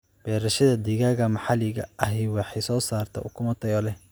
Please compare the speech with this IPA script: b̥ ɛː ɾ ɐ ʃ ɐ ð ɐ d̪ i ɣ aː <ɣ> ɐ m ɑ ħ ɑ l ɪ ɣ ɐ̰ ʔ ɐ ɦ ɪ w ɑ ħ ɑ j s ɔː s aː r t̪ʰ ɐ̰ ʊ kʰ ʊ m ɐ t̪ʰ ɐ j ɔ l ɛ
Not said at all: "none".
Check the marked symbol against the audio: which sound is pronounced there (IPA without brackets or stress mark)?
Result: ɣ